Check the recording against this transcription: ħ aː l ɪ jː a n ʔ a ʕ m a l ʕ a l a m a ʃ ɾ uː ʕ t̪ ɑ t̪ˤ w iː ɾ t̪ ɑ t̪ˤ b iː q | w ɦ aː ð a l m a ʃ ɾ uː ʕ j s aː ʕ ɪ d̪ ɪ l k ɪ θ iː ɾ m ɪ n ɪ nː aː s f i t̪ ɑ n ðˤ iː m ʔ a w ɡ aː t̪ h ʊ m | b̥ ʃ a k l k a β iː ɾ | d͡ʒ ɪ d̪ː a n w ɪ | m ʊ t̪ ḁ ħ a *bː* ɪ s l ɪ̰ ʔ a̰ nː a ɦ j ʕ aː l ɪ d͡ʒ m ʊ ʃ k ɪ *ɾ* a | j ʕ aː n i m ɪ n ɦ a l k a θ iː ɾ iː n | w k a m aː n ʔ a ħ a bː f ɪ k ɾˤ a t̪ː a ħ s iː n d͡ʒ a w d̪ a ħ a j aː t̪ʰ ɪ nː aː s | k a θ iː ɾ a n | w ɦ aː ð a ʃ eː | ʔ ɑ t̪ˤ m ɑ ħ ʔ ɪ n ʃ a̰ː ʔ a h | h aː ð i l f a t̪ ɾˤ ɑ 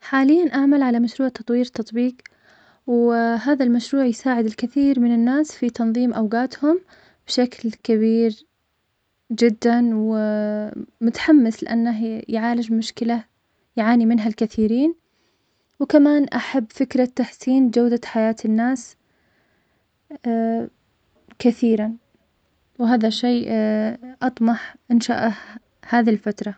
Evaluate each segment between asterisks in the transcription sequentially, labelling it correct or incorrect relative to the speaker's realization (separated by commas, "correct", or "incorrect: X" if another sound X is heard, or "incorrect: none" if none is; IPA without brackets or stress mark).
incorrect: mː, incorrect: l